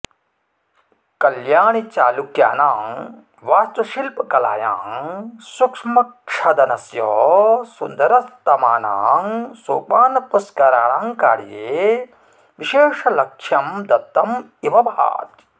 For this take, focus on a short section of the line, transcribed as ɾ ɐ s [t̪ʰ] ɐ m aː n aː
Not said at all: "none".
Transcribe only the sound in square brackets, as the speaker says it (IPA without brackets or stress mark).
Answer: t̪